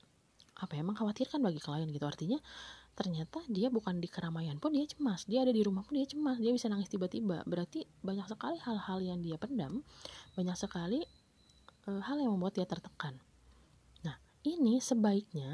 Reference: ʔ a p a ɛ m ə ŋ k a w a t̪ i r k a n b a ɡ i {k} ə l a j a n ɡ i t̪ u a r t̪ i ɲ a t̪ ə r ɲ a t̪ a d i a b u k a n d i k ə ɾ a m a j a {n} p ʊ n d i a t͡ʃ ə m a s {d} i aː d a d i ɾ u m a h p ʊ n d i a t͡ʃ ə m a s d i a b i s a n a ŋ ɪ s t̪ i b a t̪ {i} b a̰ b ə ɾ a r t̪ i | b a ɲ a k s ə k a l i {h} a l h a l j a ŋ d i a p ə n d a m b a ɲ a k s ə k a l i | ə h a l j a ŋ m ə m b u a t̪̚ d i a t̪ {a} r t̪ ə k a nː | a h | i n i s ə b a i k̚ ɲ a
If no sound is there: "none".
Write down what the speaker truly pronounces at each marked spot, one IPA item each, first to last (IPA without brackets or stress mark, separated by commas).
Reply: k, n, d, i, h, ə